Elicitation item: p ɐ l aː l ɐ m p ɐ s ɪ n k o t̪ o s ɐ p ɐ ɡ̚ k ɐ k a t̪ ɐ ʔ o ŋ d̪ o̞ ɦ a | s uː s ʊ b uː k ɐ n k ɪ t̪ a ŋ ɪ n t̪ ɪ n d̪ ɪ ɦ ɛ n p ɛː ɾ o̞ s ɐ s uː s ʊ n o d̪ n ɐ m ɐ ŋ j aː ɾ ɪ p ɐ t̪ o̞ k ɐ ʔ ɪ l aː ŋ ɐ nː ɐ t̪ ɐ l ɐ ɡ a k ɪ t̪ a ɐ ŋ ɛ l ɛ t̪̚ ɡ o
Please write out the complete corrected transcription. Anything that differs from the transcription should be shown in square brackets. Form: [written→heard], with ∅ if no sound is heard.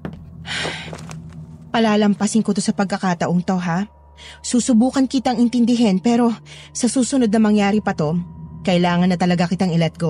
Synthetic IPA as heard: p ɐ l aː l ɐ m p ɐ s ɪ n k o t̪ o s ɐ p ɐ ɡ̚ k ɐ k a t̪ ɐ ʔ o ŋ [d̪→t̪] o̞ ɦ a | s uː s ʊ b uː k ɐ n k ɪ t̪ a ŋ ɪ n t̪ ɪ n d̪ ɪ ɦ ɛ n p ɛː ɾ o̞ s ɐ s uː s ʊ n o d̪ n ɐ m ɐ ŋ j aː ɾ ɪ p ɐ t̪ o̞ k ɐ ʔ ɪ l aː ŋ ɐ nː ɐ t̪ ɐ l ɐ ɡ a k ɪ t̪ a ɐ ŋ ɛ l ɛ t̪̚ ɡ o